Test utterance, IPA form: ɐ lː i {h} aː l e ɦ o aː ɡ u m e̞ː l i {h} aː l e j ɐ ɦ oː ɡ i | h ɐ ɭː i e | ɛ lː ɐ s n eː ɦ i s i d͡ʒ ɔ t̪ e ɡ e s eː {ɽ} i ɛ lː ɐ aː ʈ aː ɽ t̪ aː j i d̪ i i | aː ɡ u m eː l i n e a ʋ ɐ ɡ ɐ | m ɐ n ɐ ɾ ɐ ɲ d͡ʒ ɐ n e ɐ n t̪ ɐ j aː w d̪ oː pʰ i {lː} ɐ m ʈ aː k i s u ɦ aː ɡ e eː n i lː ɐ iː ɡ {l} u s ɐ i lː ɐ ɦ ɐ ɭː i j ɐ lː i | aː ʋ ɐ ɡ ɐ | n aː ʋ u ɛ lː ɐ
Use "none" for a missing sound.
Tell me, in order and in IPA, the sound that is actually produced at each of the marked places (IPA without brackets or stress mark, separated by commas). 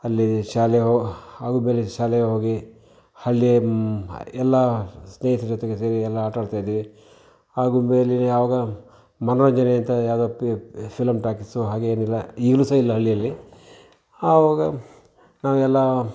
ʃ, ʃ, ɾ, l, l